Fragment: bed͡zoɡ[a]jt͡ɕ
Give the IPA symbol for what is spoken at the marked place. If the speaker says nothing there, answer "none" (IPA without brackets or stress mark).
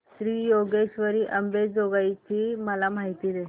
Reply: a